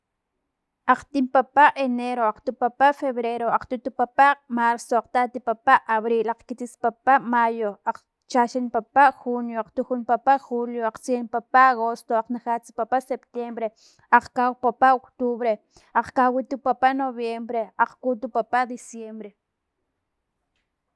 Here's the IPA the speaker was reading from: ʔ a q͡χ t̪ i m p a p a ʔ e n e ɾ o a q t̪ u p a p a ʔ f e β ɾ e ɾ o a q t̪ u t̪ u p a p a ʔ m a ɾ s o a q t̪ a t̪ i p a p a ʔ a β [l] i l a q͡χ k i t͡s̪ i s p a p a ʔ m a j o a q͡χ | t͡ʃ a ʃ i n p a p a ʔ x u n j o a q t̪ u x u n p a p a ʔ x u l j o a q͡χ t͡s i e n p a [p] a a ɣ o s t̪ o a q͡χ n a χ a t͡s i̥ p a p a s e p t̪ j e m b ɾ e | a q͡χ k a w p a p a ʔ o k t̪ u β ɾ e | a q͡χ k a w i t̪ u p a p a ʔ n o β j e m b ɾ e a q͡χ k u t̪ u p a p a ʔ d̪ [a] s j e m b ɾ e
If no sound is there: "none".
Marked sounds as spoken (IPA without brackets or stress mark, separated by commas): ɾ, p, i